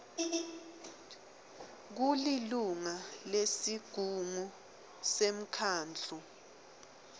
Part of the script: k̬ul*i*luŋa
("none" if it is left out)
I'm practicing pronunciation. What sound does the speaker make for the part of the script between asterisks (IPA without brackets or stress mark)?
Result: i